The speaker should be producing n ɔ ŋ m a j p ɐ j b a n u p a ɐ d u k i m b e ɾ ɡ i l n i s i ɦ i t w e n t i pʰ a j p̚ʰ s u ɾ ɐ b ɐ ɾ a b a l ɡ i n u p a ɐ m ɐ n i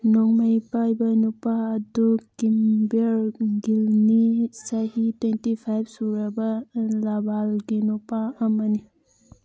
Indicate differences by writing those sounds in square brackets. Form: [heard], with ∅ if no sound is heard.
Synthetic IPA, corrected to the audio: n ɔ ŋ m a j p [a] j b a n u p a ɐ d u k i m b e ɾ ɡ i l n i s [a] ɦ i t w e n t i pʰ a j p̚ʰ s u ɾ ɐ b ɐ [l] a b a l ɡ i n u p a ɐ m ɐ n i

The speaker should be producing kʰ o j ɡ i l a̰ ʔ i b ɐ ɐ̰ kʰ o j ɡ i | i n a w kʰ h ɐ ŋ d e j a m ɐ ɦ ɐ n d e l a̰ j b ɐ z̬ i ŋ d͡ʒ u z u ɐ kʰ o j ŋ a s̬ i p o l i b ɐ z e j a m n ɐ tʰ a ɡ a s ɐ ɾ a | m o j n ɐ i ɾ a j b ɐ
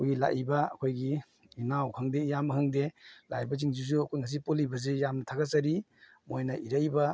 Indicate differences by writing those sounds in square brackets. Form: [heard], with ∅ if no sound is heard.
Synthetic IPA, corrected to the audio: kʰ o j ɡ i l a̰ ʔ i b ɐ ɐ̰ kʰ o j ɡ i | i n a w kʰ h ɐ ŋ d e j a m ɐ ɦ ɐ [ŋ] d e l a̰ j b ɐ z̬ i ŋ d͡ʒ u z u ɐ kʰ o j ŋ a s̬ i p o l i b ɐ z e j a m n ɐ tʰ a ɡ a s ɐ ɾ [i] | m o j n ɐ i ɾ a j b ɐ

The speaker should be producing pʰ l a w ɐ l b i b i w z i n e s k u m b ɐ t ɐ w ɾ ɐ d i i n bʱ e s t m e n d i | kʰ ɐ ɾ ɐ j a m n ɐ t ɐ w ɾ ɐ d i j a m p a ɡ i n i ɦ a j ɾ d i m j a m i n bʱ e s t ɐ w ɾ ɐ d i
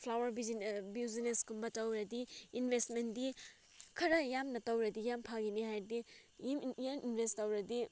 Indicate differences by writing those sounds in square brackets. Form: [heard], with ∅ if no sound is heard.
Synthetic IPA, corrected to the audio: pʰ l a w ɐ [ɾ] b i b i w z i n e s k u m b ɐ t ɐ w ɾ ɐ d i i n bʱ e s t m e n d i | kʰ ɐ ɾ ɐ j a m n ɐ t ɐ w ɾ ɐ d i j a m [pʰ] a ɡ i n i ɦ a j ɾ d i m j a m i n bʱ e s t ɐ w ɾ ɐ d i

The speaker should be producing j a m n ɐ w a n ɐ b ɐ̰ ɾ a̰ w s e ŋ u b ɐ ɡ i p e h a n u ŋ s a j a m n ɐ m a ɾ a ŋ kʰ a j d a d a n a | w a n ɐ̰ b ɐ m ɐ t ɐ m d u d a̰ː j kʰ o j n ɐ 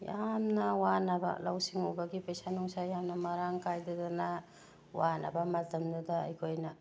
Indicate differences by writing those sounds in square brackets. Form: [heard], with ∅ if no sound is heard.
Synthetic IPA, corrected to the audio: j a m n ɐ w a n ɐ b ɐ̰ [l] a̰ w s [i] ŋ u b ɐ ɡ i p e [s] a n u ŋ s a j a m n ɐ m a ɾ a ŋ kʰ a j d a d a n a | w a n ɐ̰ b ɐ m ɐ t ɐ m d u d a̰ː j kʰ o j n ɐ

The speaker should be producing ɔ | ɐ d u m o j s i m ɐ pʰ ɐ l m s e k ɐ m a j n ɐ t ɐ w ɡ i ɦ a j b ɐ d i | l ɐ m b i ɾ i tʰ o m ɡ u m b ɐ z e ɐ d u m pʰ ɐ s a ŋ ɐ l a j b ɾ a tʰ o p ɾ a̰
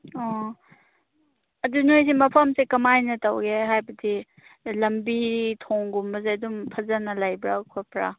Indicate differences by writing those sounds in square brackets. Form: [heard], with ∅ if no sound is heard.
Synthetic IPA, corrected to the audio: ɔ | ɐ d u [n] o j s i m ɐ pʰ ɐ [∅] m s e k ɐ m a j n ɐ t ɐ w ɡ [e] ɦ a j b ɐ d i | l ɐ m b i ɾ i tʰ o [ŋ] ɡ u m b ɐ z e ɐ d u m pʰ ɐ [z] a [n] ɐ l a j b ɾ a [kʰ] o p ɾ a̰

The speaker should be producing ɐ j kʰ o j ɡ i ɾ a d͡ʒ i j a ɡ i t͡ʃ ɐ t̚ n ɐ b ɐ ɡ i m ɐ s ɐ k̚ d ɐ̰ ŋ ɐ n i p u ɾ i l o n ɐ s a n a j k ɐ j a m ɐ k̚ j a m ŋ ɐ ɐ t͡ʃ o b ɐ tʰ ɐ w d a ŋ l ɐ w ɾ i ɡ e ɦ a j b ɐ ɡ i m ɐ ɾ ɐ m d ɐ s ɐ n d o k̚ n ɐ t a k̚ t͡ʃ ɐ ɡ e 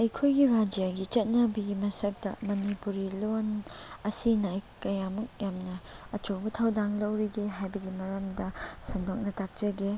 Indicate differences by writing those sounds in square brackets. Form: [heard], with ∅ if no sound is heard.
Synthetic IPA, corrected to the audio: ɐ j kʰ o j ɡ i ɾ a d͡ʒ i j a ɡ i t͡ʃ ɐ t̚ n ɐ b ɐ ɡ i m ɐ s ɐ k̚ d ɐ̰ [m] ɐ n i p u ɾ i l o n ɐ s [i] n a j k ɐ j a m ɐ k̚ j a m [n] ɐ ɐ t͡ʃ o b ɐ tʰ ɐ w d a ŋ l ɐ w ɾ i ɡ e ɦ a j b ɐ ɡ i m ɐ ɾ ɐ m d ɐ s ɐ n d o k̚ n ɐ t a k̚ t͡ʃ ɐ ɡ e

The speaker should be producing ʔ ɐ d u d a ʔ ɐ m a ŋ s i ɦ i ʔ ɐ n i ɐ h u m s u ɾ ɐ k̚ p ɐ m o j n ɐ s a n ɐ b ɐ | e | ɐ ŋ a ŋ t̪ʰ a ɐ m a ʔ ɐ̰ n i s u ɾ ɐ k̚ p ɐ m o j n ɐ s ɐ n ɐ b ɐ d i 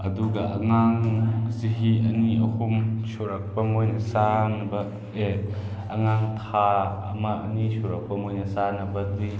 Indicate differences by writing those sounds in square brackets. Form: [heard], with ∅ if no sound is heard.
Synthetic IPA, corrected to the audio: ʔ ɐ d u [ɡ] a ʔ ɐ [ŋ] a ŋ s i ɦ i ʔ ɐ n i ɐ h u m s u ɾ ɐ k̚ p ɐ m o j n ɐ s a n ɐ b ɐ | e | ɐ ŋ a ŋ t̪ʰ a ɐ m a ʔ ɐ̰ n i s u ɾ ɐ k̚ p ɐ m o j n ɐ s [a] n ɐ b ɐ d i

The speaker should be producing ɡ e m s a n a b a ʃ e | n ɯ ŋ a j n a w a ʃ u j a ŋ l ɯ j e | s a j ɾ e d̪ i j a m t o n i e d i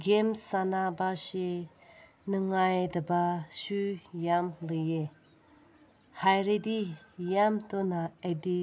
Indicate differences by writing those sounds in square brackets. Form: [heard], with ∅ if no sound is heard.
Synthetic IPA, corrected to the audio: ɡ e m s a n a b a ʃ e | n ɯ ŋ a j [d] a [b] a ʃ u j a [m] l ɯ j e | [h] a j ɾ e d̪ i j a m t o n [a] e d i

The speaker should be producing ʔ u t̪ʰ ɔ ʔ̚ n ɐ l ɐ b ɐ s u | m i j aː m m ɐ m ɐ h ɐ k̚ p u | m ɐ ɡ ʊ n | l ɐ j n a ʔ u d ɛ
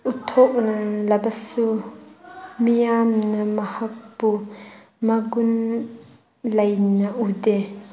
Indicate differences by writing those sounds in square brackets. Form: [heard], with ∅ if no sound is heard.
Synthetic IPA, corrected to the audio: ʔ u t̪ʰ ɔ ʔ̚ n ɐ l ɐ b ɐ s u | m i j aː m [n] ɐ m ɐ h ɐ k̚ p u | m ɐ ɡ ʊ n | l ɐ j n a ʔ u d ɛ

